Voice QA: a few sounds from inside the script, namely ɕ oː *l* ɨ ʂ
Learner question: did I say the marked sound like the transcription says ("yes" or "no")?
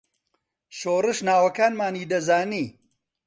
no